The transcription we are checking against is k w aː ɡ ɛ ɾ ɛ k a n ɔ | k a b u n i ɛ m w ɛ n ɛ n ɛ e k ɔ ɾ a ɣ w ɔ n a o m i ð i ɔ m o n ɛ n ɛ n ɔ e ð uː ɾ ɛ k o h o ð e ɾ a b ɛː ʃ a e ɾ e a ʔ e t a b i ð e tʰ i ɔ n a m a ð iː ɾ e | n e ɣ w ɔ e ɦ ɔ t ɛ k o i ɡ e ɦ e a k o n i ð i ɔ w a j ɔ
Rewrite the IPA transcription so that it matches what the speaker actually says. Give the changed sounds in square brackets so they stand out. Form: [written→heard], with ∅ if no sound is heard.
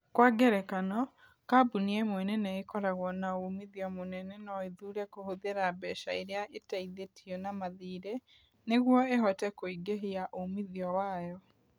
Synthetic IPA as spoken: k w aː ɡ ɛ ɾ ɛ k a n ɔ | k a b u n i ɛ m w ɛ n ɛ n ɛ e k ɔ ɾ a ɣ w ɔ n a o m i ð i ɔ m o n ɛ n ɛ n ɔ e ð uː ɾ ɛ k o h o ð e ɾ a b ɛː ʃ a e ɾ e a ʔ e t a [b→∅] i ð e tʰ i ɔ n a m a ð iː ɾ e | n e ɣ w ɔ e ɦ ɔ t ɛ k o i ɡ e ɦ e a [k→ʔ] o [n→m] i ð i ɔ w a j ɔ

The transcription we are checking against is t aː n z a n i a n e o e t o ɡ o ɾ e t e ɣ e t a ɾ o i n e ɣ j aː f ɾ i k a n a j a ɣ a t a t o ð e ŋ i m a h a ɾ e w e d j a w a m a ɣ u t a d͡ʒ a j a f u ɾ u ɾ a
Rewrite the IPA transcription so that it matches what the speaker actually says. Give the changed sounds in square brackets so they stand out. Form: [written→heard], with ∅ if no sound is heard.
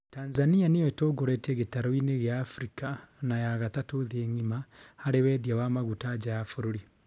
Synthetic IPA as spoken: t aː n z a n i a n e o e t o ɡ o ɾ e t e ɣ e t a ɾ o i n e ɣ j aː f ɾ i k a n a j a ɣ a t a t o ð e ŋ i m a h a ɾ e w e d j a w a m a ɣ u t a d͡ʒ a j a f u ɾ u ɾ [a→i]

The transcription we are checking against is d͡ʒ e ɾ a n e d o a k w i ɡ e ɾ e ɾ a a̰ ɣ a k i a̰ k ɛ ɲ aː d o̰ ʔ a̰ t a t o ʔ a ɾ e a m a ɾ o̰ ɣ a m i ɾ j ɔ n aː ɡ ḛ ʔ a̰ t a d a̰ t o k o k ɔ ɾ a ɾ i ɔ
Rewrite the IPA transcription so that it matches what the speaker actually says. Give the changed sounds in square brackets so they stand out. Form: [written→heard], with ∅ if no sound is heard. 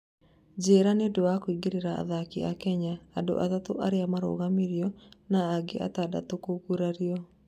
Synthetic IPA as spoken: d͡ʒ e ɾ a n e d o a k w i ɡ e ɾ e ɾ a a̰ [ɣ→ð] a k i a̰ k ɛ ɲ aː d o̰ ʔ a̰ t a t o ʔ a ɾ e a m a ɾ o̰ ɣ a m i ɾ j ɔ n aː ɡ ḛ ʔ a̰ t a d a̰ t o k o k [ɔ→u] ɾ a ɾ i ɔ

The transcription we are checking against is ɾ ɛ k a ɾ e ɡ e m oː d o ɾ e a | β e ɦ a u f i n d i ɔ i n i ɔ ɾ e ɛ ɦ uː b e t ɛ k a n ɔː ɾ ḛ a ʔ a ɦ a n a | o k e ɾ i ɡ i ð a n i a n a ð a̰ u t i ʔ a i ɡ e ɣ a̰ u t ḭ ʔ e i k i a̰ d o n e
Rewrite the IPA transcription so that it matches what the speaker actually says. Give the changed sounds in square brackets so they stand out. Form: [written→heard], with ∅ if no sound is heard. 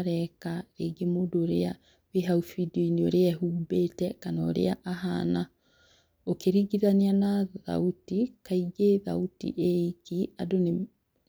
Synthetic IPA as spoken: ɾ ɛ k a ɾ e ɡ e m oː d o ɾ e a | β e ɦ a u f i [n→∅] d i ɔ i n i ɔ ɾ e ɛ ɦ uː b e t ɛ k a n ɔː ɾ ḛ a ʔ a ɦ a n a | o k e ɾ i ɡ i ð a n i a n a ð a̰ u t i [ʔ→k] a i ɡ e [ɣ→ð] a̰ u t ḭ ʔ e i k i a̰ d o n e

